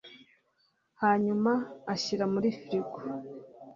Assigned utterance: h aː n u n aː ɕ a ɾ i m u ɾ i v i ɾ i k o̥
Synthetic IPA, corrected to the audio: h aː ɲ u m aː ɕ i ɾ a m u ɾ i f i ɾ i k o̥